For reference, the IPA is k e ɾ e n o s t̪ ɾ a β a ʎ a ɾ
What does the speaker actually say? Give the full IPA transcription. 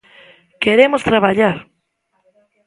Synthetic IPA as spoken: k e ɾ e m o s t̪ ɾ a β a ʎ a ɾ